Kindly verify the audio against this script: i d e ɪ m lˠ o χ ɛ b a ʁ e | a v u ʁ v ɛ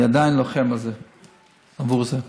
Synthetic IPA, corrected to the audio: a d a ɪ n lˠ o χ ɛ m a z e | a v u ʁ z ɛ